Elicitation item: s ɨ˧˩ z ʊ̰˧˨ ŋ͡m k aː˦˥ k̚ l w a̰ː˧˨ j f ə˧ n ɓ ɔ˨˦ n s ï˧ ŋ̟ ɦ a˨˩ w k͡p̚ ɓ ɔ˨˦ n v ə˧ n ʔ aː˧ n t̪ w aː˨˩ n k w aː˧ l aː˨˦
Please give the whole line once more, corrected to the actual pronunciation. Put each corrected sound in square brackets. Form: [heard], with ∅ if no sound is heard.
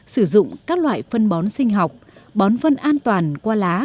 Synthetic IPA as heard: s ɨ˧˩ z ʊ̰˧˨ ŋ͡m k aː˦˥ k̚ l w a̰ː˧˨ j f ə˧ n ɓ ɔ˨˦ n s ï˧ ŋ̟ ɦ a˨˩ w k͡p̚ ɓ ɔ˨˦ n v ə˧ n ʔ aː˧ n t̪ w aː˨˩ n k w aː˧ l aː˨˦